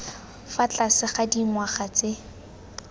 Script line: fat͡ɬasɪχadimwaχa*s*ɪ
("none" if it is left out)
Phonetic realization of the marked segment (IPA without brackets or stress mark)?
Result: t͡s